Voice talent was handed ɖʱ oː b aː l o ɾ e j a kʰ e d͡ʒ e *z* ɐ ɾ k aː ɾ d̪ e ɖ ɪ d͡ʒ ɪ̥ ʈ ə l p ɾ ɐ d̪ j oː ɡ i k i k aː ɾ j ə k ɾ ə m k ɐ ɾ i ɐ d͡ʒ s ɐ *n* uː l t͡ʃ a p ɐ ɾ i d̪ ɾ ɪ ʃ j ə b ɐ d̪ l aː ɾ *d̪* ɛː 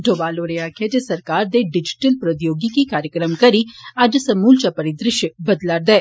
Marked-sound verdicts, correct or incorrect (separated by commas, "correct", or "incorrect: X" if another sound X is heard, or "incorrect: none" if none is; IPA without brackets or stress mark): incorrect: s, incorrect: m, correct